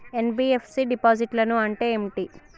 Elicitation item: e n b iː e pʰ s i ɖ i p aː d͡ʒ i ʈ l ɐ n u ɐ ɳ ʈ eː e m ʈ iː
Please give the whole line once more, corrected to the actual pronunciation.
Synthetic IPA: e n b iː e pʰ s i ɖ i p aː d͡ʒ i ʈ l ɐ n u ɐ ɳ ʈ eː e m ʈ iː

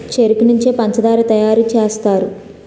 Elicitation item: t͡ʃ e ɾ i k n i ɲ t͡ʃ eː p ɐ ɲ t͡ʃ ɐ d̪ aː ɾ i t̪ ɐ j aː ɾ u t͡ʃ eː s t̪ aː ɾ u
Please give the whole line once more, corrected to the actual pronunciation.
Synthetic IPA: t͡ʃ e ɾ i k n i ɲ t͡ʃ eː p ɐ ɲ t͡ʃ ɐ d̪ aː ɾ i t̪ ɐ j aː ɾ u t͡ʃ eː s t̪ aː ɾ u

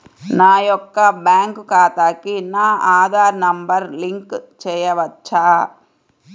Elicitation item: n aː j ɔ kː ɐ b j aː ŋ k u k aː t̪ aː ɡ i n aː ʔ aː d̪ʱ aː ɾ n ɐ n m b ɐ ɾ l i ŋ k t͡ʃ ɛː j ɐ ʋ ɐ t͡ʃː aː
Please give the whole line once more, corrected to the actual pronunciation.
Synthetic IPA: n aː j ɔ kː ɐ b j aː ŋ k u k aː t̪ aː k i n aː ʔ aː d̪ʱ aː ɾ n ɐ m b ɐ ɾ l i ŋ k t͡ʃ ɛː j ɐ ʋ ɐ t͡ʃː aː

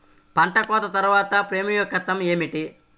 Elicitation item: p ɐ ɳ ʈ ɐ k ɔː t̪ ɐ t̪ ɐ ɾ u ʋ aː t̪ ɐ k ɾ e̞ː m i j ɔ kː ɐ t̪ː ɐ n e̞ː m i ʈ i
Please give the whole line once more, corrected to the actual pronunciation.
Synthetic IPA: p ɐ ɳ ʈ ɐ k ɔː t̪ ɐ t̪ ɐ ɾ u ʋ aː t̪ ɐ p ɾ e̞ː m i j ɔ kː ɐ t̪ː ɐ m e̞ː m i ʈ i

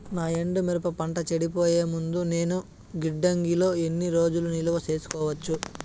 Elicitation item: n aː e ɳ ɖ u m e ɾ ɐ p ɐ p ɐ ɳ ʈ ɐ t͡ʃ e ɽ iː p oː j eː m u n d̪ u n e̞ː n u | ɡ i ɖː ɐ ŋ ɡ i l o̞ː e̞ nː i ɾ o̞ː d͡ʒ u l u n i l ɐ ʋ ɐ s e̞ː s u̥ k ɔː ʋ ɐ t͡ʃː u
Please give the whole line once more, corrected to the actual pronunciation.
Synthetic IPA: n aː e ɳ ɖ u m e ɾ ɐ p ɐ p ɐ ɳ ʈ ɐ t͡ʃ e ɽ i p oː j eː m u n d̪ u n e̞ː n u | ɡ i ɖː ɐ ŋ ɡ i l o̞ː e̞ nː i ɾ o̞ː d͡ʒ u l u n i l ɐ ʋ ɐ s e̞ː s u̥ k ɔː ʋ ɐ t͡ʃː u

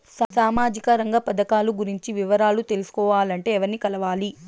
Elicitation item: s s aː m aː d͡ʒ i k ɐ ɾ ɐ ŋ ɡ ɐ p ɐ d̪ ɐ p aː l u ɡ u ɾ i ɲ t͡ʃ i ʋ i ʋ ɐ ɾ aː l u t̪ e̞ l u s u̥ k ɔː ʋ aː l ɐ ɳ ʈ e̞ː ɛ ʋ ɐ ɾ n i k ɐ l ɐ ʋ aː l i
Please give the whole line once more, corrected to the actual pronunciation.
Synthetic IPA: s s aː m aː d͡ʒ i k ɐ ɾ ɐ ŋ ɡ ɐ p ɐ d̪ ɐ k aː l u ɡ u ɾ i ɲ t͡ʃ i ʋ i ʋ ɐ ɾ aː l u t̪ e̞ l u s u̥ k ɔː ʋ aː l ɐ ɳ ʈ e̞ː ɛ ʋ ɐ ɾ n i k ɐ l ɐ ʋ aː l i

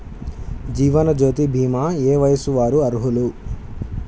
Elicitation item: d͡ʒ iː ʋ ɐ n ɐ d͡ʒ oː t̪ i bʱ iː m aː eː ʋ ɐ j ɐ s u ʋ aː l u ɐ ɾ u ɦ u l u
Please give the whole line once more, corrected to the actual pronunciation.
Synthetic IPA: d͡ʒ iː ʋ ɐ n ɐ d͡ʒ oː t̪ i bʱ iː m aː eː ʋ ɐ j ɐ s u ʋ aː ɾ u ɐ ɾ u ɦ u l u

